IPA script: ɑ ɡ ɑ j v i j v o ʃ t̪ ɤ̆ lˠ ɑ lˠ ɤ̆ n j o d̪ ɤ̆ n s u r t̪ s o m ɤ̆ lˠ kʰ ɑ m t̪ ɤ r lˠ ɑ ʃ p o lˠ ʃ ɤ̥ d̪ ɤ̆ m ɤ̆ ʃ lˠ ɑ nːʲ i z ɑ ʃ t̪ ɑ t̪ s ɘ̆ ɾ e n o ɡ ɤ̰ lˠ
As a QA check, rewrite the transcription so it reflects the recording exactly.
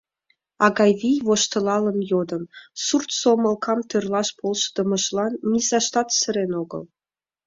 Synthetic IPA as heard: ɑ ɡ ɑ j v i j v o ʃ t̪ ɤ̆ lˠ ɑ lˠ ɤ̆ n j o d̪ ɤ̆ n s u r t̪ s o m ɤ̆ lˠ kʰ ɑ m t̪ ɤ r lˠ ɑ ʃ p o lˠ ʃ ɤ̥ d̪ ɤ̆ m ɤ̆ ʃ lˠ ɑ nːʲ i z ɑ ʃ t̪ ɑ t̪ s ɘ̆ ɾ e n o ɡ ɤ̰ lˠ